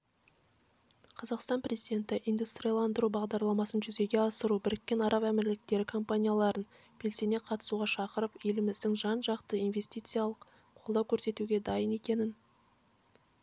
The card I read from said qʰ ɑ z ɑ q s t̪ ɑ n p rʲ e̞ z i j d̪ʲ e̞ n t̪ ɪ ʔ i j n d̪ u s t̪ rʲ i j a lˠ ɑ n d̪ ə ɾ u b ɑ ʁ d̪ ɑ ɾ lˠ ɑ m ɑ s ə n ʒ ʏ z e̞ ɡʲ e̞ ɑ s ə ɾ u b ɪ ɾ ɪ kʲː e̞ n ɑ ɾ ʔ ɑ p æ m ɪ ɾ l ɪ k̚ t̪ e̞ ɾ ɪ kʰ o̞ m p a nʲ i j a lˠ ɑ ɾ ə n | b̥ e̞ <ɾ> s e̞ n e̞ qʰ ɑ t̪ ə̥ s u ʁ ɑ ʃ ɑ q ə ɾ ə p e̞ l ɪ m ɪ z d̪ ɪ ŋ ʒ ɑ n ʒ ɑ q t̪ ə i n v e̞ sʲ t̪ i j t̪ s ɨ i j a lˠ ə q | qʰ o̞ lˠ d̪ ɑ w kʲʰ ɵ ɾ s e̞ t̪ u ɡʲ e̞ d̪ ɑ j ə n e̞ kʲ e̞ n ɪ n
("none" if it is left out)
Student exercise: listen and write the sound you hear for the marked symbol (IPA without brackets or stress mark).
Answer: l